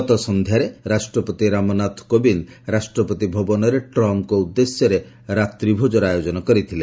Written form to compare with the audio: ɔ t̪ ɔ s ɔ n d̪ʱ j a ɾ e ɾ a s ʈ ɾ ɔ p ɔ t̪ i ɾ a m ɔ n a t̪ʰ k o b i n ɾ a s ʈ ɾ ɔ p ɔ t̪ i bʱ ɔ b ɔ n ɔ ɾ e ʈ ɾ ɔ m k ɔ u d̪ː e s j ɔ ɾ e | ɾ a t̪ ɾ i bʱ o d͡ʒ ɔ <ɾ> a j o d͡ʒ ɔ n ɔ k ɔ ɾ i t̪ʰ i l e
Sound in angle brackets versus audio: correct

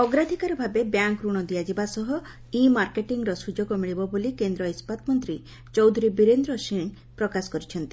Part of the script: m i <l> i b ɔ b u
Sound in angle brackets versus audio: incorrect: ɭ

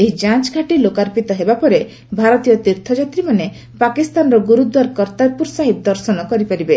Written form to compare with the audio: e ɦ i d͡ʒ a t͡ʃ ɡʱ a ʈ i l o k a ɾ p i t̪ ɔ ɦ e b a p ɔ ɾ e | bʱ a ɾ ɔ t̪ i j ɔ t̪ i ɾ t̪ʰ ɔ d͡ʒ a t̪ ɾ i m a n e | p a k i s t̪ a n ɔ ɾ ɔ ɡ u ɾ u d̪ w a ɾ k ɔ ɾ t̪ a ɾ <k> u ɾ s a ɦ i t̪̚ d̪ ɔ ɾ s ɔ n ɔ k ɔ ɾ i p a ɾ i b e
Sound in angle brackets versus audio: incorrect: p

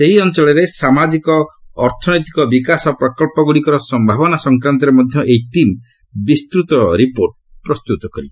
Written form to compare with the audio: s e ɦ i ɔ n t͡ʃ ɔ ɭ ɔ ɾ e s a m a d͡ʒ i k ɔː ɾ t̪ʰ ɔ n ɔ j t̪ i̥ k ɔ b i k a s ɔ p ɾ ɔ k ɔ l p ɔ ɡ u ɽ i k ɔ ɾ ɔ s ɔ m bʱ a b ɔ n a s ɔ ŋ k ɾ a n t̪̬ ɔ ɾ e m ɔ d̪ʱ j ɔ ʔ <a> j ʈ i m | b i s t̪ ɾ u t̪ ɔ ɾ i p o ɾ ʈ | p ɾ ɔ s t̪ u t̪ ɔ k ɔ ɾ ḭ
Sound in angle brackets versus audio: incorrect: e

